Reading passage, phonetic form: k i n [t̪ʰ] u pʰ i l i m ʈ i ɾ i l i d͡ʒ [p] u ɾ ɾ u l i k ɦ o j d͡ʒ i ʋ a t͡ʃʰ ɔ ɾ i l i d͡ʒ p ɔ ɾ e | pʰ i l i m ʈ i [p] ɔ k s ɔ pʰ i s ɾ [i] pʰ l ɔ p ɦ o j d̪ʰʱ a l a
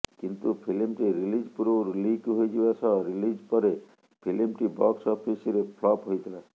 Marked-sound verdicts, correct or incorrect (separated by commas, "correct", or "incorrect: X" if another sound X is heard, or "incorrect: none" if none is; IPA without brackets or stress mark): incorrect: t̪, correct, incorrect: b, incorrect: e